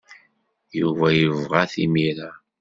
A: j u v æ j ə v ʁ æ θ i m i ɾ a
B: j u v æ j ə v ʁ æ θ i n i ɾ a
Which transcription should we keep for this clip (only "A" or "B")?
A